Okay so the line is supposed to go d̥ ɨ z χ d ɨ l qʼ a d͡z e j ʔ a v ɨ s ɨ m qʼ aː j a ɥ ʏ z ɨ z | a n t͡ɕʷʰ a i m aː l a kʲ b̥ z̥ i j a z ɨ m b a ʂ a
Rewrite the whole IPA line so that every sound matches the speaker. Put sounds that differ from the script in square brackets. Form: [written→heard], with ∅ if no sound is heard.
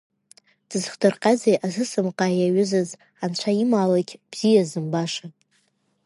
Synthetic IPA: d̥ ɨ z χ d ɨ [l→r] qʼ a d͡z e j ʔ a [v→z] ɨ s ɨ m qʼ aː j a ɥ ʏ z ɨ z | a n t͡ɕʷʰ a i m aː l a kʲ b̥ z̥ i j a z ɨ m b a ʂ a